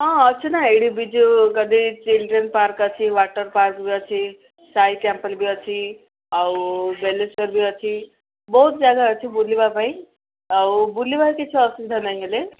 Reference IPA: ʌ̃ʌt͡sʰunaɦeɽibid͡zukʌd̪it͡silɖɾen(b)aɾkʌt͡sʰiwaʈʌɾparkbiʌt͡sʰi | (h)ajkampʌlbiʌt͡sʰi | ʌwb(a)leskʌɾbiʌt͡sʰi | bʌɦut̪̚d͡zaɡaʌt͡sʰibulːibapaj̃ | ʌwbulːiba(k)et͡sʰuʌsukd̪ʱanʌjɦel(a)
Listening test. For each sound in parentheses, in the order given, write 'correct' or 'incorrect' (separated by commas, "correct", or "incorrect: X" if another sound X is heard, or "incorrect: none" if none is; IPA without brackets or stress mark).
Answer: incorrect: p, incorrect: s, incorrect: e, correct, incorrect: e